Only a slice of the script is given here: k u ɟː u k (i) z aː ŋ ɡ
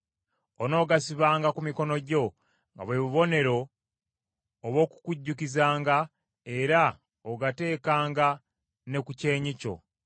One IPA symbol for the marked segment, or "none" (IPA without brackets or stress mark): i